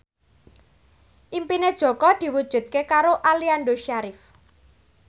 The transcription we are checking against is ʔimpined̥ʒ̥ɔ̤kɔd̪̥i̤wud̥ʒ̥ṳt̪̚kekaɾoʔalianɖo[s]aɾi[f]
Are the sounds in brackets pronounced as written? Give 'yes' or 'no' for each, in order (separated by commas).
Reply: no, yes